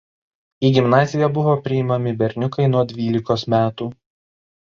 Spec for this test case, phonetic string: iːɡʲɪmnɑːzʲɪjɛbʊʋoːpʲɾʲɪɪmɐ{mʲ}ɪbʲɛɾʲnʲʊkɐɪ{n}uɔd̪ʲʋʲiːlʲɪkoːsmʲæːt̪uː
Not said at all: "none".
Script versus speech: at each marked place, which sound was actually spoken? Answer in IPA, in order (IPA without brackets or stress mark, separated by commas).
mʲ, n